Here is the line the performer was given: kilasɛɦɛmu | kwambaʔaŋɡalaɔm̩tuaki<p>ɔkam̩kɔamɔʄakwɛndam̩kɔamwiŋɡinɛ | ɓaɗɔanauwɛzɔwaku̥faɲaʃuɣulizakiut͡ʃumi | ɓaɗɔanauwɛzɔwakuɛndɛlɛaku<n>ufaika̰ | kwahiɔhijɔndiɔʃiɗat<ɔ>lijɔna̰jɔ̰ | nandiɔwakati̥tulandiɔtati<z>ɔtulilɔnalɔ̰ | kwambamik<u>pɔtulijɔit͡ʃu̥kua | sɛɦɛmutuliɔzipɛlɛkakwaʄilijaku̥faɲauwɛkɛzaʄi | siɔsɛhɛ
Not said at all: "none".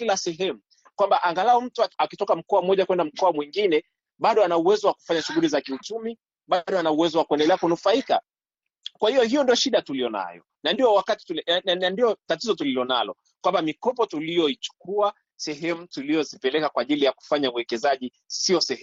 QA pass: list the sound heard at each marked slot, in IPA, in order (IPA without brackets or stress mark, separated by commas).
t, n, u, z, ɔ